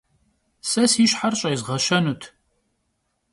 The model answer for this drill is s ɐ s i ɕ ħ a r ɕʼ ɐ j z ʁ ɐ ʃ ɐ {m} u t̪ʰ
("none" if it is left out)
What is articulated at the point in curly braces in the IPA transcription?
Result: n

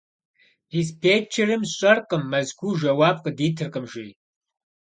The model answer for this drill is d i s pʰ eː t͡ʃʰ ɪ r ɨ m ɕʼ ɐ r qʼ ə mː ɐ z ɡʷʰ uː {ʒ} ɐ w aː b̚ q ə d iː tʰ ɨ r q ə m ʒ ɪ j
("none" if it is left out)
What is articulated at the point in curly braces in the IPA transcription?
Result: ʒ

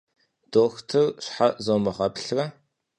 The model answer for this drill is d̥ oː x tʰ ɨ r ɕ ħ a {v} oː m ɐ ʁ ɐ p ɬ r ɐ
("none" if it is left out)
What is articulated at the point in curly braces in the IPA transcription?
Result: z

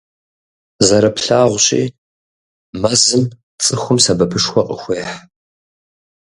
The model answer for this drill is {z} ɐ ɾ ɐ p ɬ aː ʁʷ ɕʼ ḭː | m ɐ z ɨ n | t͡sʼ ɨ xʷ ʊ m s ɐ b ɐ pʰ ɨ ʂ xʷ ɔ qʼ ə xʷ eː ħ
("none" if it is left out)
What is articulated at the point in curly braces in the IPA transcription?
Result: z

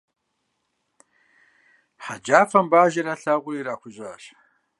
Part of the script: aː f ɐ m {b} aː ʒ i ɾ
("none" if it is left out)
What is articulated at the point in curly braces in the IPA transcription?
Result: b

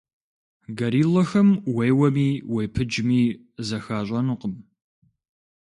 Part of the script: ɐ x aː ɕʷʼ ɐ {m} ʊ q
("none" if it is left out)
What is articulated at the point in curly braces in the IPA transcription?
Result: n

